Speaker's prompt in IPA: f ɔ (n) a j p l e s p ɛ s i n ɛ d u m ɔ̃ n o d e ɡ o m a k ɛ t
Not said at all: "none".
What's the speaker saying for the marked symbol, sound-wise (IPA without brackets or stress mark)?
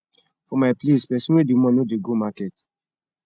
m